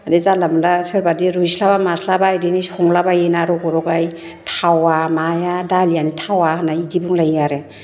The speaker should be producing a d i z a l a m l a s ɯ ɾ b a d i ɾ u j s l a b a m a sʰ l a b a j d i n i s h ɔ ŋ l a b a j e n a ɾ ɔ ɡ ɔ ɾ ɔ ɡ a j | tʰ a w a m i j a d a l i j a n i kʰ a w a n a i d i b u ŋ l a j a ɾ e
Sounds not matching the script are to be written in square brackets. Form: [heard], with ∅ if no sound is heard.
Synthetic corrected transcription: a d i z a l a m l a s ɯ ɾ b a d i ɾ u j s l a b a m a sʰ l a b a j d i n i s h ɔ ŋ l a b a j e n a ɾ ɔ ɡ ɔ ɾ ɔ ɡ a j | tʰ a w a m [a] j a d a l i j a n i [tʰ] a w a n a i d i b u ŋ l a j a ɾ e